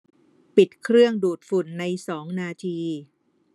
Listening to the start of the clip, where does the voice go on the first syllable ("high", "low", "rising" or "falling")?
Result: low